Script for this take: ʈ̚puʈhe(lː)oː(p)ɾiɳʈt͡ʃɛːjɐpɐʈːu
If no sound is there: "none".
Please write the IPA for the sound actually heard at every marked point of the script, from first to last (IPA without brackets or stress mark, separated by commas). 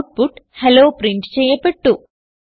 l, p